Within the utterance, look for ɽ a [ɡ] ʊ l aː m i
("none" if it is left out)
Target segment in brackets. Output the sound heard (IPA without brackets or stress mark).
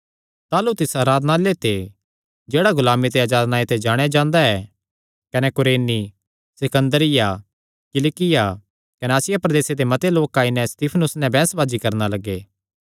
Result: ɡ